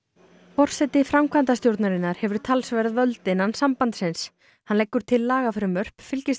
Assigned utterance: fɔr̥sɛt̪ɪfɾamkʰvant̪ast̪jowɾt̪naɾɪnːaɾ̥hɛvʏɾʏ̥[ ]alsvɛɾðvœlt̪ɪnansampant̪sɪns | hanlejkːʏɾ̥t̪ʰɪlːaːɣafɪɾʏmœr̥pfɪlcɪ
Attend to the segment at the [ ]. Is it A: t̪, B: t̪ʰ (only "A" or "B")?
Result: B